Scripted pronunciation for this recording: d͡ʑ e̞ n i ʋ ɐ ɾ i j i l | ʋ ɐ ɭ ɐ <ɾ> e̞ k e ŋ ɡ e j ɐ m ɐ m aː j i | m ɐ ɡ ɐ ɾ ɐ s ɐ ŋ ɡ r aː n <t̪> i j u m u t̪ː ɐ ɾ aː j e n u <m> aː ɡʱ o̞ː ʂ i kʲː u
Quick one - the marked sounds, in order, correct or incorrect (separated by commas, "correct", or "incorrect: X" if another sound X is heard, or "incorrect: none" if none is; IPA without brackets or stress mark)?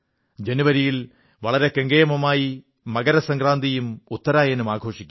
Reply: correct, incorrect: d̪, correct